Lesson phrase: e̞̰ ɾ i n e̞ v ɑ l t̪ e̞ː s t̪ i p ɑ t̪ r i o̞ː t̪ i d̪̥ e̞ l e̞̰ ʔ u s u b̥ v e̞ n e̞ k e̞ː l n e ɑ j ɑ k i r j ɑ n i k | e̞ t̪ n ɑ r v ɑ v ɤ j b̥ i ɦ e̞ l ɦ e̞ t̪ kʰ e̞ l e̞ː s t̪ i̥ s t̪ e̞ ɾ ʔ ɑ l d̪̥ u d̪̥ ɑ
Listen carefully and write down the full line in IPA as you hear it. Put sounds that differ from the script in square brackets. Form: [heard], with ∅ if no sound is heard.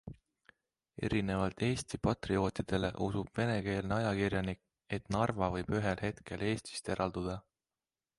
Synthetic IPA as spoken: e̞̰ ɾ i n e̞ v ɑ l t̪ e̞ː s t̪ i p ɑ t̪ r i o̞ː t̪ i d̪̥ e̞ l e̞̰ ʔ u s u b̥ v e̞ n e̞ k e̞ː l n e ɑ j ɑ k i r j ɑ n i k | e̞ t̪ n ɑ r v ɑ v ɤ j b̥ [y] ɦ e̞ l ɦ e̞ t̪ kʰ e̞ l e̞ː s t̪ i̥ s t̪ e̞ ɾ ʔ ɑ l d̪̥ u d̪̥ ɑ